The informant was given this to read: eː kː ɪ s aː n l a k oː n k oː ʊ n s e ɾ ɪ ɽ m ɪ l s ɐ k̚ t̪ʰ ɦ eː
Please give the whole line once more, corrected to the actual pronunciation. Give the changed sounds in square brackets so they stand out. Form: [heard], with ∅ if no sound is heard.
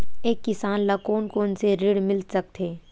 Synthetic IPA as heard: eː kː ɪ s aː n l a k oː n k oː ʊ n s e ɾ ɪ ɽ m ɪ l s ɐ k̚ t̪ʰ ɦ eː